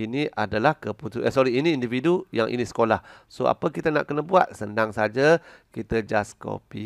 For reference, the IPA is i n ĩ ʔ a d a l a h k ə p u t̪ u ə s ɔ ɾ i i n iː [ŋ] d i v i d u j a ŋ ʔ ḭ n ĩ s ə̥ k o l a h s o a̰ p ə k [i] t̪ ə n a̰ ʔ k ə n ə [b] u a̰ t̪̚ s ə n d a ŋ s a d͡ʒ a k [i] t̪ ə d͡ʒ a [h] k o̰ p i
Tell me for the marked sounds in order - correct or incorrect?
incorrect: n, correct, correct, correct, incorrect: s

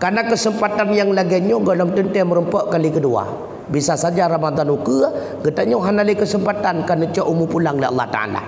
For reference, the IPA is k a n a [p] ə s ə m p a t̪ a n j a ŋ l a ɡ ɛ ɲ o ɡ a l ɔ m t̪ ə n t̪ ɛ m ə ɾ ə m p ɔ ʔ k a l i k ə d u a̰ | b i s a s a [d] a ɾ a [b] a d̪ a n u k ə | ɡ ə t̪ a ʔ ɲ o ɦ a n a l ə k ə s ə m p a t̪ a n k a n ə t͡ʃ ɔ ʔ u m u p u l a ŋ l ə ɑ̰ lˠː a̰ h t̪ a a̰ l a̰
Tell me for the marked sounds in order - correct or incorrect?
incorrect: k, incorrect: d͡ʒ, incorrect: m

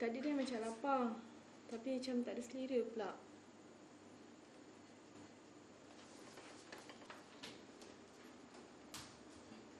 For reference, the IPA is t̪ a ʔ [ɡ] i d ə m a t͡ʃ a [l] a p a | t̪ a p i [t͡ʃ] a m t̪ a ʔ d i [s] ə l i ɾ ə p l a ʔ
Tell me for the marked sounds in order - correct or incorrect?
incorrect: d, correct, correct, correct

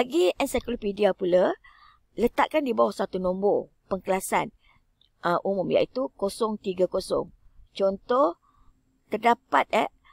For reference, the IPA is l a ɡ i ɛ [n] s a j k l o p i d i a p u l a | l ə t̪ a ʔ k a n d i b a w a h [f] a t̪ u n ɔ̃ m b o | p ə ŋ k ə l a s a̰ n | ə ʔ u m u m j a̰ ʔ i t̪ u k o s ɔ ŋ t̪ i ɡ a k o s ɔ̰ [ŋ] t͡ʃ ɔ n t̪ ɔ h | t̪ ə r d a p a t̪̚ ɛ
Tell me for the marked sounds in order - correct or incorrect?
correct, incorrect: s, correct

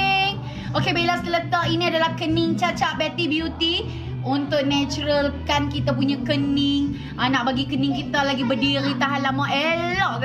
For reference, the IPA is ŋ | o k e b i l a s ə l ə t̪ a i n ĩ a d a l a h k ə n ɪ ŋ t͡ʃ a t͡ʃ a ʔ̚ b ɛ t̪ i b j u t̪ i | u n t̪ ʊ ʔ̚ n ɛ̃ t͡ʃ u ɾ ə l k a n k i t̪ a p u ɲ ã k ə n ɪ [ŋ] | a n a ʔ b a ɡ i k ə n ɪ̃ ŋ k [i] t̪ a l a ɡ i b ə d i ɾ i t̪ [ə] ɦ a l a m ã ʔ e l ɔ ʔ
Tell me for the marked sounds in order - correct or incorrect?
correct, correct, incorrect: a

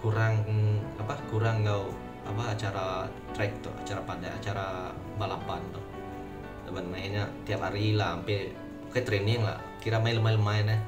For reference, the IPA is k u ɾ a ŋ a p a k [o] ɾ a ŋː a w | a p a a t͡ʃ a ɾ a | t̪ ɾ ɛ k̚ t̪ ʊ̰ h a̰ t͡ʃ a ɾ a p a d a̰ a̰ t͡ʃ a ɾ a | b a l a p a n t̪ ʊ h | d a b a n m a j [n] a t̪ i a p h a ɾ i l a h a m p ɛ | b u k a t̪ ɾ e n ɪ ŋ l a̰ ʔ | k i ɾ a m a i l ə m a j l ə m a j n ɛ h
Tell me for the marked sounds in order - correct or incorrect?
incorrect: u, incorrect: ɲ

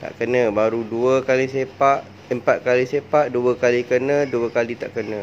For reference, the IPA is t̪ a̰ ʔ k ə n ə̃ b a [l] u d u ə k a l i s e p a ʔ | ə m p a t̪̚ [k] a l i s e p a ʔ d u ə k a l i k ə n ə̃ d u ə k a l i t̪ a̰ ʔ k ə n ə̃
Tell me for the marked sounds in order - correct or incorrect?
incorrect: ɾ, correct

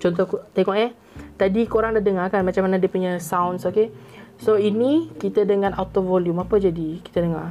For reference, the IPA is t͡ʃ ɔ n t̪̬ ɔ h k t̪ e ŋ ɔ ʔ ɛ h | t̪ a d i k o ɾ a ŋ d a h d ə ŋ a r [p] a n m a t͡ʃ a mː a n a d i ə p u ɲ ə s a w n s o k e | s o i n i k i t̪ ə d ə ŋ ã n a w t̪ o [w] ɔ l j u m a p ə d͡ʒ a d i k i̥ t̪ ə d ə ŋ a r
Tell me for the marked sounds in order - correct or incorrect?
incorrect: k, incorrect: v

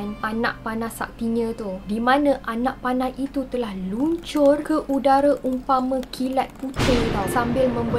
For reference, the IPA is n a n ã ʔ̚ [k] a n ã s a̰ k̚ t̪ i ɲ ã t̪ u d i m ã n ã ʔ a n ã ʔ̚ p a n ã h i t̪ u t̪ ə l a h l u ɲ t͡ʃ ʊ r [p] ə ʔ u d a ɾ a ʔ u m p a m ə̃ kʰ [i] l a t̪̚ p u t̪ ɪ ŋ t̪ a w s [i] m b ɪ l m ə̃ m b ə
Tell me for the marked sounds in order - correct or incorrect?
incorrect: p, incorrect: k, correct, incorrect: a

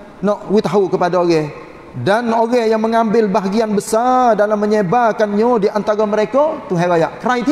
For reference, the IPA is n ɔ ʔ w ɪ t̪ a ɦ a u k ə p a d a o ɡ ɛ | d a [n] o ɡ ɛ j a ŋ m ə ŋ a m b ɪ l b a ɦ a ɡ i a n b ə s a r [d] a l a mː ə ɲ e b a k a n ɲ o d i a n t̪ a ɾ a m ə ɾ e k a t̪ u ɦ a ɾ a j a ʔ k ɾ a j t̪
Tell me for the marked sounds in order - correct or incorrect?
correct, correct

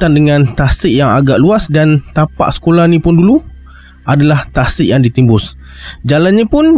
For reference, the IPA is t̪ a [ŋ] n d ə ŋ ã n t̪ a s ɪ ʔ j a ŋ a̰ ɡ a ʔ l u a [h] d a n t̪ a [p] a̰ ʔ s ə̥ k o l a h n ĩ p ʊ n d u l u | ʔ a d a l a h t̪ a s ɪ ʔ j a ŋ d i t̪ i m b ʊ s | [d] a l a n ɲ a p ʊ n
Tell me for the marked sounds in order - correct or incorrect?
incorrect: none, incorrect: s, correct, incorrect: d͡ʒ

